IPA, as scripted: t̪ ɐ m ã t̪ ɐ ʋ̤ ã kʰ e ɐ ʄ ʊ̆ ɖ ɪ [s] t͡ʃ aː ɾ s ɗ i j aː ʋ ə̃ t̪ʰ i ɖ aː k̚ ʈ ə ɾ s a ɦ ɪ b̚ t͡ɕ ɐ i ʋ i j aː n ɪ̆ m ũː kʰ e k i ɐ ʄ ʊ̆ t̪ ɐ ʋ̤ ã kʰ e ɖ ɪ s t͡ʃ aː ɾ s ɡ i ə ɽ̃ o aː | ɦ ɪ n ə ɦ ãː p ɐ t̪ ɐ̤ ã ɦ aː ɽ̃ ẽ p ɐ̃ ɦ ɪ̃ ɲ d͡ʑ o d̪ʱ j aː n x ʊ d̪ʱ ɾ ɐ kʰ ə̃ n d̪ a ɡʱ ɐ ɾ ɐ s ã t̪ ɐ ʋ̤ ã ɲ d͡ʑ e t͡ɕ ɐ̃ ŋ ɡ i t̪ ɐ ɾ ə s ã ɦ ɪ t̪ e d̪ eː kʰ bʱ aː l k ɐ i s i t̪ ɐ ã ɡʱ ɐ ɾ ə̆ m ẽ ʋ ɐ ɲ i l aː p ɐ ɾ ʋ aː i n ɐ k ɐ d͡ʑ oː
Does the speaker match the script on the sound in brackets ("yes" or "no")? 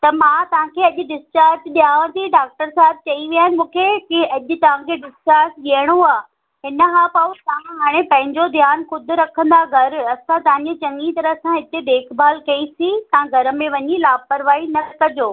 yes